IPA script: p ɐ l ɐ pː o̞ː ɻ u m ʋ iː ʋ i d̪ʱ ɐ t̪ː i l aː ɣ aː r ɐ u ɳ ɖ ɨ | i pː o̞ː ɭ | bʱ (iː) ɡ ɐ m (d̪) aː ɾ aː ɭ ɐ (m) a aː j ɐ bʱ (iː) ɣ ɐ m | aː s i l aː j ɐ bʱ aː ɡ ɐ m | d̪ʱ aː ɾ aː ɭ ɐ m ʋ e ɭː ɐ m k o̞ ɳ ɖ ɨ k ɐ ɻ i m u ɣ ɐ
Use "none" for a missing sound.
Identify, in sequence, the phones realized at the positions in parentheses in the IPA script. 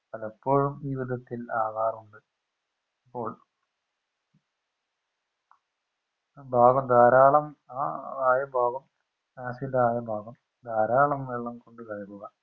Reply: aː, d̪, m, aː

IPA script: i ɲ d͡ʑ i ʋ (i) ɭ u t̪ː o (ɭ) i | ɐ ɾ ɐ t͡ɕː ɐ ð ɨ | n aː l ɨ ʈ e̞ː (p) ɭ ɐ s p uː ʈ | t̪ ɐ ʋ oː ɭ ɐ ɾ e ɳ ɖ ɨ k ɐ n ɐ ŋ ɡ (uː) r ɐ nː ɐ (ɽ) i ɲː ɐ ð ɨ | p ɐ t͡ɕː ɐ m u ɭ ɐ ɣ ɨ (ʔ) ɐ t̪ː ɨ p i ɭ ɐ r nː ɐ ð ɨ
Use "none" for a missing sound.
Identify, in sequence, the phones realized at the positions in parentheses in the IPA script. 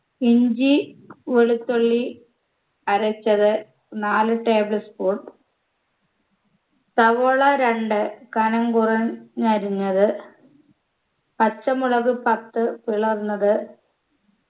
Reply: e, ɭː, b, u, ɾ, p

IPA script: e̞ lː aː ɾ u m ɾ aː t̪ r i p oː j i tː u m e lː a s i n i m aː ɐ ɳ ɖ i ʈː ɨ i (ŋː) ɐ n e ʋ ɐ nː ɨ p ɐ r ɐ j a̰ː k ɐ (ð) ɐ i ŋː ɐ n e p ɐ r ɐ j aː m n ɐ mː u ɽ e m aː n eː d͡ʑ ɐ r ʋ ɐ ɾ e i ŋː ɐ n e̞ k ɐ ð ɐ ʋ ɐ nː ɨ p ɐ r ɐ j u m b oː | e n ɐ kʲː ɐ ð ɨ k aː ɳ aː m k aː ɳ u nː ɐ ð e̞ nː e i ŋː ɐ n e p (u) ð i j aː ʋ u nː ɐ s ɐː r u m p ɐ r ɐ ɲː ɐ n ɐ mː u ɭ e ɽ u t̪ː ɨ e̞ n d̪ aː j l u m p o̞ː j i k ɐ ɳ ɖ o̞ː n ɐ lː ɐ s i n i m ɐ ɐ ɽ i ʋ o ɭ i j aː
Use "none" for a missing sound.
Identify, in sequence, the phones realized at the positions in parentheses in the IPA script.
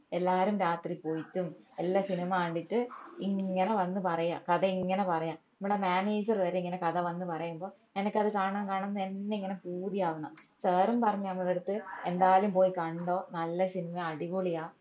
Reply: ŋː, ð, uː

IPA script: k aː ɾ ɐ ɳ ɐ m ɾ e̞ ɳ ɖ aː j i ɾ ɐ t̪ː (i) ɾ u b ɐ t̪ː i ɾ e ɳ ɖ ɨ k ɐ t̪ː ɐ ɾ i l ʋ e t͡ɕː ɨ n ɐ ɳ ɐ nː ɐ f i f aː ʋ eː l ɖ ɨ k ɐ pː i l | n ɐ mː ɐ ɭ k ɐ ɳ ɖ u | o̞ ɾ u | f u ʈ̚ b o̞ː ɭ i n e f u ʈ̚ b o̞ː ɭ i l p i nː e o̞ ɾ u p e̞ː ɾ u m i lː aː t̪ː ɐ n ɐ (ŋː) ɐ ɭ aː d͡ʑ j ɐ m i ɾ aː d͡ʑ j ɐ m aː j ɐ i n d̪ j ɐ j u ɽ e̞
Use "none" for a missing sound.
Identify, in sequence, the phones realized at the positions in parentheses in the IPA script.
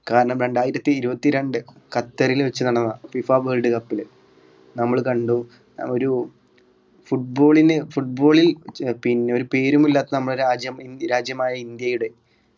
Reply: iː, mː

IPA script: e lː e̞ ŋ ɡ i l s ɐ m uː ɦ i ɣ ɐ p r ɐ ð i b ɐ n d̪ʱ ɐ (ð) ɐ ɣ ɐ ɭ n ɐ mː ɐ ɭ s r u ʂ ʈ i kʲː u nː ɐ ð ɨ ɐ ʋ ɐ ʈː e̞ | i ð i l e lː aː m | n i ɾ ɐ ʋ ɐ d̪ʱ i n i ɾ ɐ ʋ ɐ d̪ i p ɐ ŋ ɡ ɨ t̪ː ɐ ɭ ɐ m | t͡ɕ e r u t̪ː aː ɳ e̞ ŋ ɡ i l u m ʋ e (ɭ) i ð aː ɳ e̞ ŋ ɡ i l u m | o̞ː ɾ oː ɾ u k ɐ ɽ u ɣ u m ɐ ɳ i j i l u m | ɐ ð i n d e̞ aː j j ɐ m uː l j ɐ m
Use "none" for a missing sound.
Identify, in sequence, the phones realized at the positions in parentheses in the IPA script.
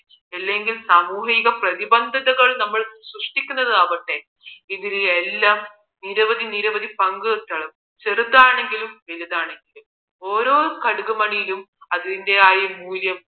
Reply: ð, l

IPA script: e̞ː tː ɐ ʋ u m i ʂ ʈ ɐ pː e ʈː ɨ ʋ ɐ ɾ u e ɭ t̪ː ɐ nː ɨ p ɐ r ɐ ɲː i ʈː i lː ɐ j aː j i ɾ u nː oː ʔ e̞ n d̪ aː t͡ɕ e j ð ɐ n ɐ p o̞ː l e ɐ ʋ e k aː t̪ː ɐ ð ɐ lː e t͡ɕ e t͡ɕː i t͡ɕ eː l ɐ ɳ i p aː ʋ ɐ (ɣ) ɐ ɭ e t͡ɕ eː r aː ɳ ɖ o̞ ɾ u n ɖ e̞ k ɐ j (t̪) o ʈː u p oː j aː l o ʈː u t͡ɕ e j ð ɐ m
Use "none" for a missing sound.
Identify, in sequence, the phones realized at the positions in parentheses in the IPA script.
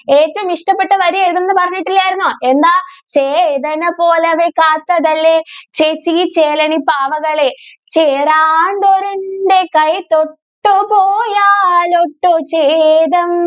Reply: ɣ, t̪

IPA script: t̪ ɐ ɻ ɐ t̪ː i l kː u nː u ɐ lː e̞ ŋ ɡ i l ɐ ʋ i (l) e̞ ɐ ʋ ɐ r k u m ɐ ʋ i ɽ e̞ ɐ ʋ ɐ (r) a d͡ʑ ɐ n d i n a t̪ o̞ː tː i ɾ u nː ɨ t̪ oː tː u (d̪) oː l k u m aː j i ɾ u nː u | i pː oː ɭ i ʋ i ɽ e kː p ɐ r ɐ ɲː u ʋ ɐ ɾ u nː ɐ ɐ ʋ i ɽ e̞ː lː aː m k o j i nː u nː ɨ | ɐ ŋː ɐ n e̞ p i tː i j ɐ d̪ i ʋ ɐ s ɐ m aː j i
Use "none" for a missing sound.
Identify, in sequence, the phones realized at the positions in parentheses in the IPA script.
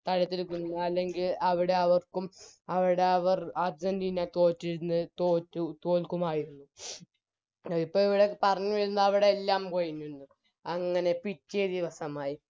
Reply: ɽ, r, t̪

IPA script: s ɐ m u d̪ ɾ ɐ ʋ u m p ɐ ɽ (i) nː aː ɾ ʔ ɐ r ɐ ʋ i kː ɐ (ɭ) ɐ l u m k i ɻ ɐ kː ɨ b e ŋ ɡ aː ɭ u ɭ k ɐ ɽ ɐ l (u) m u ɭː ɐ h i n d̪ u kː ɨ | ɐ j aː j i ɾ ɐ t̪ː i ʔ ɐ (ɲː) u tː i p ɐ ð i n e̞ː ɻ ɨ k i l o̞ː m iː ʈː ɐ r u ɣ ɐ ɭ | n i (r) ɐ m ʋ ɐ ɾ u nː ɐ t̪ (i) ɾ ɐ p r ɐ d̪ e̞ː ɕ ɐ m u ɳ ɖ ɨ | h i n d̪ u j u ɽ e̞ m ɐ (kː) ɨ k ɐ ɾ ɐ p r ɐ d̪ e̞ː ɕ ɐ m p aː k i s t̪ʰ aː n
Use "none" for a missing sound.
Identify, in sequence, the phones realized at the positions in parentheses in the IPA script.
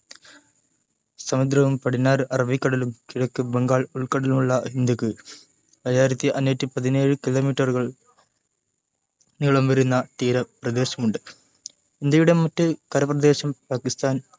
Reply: i, ɽ, u, nː, ɭ, iː, tː

